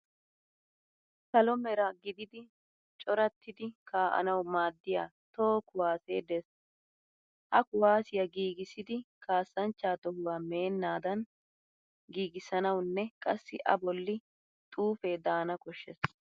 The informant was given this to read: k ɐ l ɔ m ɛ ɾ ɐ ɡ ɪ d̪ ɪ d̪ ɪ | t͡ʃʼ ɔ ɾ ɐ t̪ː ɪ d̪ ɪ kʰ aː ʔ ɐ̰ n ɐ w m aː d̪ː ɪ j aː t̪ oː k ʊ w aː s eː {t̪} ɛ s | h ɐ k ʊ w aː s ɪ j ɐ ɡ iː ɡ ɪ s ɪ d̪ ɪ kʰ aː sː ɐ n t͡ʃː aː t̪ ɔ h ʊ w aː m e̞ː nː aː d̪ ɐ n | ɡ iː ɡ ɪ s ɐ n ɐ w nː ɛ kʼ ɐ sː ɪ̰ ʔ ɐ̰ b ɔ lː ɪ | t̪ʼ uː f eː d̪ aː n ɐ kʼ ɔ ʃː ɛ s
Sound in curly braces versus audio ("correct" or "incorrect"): incorrect